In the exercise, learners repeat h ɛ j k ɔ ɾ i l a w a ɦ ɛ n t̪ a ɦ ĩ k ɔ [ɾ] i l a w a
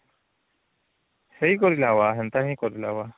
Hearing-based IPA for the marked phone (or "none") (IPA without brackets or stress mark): ɾ